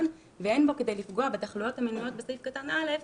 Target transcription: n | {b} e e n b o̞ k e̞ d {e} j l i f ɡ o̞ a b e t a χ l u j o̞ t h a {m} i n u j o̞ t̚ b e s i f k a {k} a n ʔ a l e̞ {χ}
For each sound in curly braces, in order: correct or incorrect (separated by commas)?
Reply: incorrect, correct, correct, incorrect, incorrect